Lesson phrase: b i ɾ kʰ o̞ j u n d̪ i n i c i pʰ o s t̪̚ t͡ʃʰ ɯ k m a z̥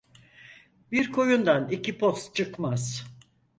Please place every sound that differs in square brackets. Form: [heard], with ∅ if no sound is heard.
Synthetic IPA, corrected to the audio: b i ɾ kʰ o̞ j u n d̪ [a] n i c i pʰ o s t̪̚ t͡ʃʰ ɯ k m a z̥